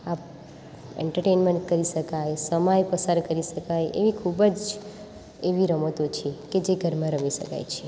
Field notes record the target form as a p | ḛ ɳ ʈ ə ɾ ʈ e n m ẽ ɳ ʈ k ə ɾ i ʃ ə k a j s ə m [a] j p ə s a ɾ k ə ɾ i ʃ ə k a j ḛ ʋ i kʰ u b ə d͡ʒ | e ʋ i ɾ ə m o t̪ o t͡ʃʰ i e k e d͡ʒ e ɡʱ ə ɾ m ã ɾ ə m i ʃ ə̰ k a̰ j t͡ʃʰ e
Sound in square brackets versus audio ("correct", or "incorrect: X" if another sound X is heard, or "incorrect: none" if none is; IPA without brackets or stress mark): correct